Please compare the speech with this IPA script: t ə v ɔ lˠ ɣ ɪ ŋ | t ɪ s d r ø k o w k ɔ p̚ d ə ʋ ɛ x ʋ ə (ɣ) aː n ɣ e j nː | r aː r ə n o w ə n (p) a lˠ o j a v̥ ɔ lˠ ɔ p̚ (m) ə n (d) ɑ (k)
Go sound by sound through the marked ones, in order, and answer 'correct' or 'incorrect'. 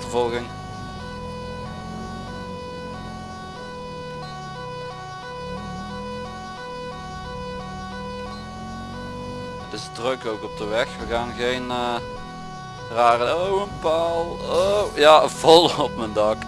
correct, correct, correct, correct, correct

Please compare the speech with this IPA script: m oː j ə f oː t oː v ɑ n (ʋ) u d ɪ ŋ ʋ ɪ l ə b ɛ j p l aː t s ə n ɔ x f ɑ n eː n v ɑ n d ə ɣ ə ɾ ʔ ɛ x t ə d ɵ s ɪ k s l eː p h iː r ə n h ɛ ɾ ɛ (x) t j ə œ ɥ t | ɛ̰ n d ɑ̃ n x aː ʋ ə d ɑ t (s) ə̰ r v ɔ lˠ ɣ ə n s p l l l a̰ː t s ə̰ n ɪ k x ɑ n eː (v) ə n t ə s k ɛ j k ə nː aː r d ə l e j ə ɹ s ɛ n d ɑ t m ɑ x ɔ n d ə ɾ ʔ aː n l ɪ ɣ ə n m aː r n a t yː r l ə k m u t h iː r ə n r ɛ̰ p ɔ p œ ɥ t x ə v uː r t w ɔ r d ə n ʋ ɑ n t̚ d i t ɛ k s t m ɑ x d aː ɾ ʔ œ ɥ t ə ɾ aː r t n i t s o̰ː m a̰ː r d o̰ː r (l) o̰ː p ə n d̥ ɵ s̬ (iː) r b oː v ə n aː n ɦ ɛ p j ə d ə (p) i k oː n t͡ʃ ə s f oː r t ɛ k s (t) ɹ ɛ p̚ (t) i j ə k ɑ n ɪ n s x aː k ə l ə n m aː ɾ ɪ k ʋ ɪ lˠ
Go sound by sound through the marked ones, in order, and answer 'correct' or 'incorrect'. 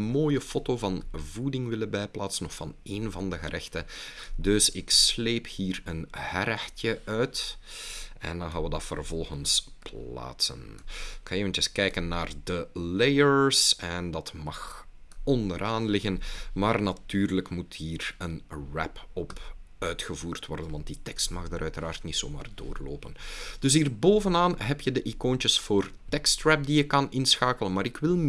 incorrect, correct, incorrect, correct, correct, correct, incorrect, correct, incorrect

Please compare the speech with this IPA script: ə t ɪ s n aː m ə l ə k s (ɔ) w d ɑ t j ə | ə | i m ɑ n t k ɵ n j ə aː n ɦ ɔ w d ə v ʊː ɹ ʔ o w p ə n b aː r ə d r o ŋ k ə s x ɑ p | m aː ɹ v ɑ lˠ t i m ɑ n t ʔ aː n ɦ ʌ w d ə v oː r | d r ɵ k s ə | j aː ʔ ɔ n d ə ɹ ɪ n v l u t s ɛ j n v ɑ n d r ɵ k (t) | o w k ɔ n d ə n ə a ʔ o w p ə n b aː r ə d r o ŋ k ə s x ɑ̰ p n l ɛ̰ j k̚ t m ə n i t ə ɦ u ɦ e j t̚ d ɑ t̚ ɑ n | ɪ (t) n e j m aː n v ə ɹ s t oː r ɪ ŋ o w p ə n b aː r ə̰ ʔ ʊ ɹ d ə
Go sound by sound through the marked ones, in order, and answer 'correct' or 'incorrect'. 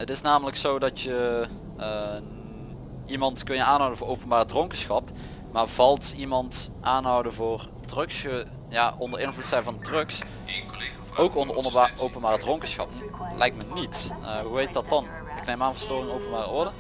incorrect, incorrect, incorrect

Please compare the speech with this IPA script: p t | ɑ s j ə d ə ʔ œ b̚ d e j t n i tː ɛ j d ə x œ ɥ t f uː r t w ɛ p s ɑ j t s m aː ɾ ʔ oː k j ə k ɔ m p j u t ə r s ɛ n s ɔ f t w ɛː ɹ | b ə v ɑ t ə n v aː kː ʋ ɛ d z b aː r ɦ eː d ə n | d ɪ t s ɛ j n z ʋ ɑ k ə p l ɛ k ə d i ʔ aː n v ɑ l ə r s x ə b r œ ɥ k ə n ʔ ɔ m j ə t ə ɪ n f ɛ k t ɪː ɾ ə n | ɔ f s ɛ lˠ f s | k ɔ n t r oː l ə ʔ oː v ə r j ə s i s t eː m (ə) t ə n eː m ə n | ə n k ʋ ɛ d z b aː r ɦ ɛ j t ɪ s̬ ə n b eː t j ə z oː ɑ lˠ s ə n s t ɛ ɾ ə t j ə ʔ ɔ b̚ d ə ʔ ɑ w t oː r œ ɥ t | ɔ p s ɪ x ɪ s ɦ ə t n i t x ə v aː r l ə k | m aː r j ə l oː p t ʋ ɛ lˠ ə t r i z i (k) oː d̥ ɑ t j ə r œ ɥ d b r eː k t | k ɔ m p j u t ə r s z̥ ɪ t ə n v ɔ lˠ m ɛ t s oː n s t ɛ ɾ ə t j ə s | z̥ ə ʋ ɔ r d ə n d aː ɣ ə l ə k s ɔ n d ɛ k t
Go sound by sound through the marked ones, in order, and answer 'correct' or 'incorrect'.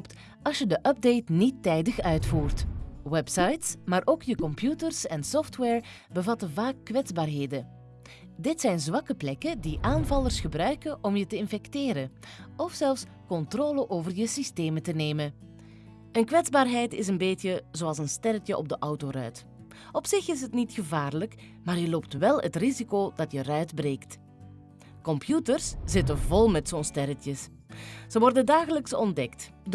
correct, correct

